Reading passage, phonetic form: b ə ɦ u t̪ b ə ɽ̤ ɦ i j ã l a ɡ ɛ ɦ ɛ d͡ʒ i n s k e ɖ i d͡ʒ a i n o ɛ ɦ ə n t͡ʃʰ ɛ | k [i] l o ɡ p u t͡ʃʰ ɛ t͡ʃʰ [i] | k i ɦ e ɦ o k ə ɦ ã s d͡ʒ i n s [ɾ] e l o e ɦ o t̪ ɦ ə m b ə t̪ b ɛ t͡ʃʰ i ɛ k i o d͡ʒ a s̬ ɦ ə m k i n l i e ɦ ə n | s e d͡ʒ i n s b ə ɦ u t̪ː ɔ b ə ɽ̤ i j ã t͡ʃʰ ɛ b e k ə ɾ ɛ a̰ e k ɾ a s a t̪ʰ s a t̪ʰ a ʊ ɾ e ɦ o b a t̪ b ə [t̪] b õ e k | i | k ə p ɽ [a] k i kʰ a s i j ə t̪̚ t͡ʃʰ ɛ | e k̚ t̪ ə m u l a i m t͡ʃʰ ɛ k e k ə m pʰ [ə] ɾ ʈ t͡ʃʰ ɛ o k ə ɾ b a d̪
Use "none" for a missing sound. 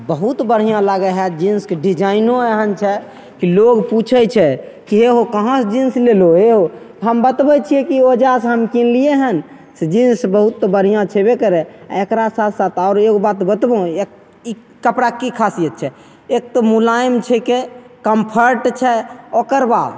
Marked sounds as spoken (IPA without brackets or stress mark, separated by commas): i, ɛ, l, t̪, a, ə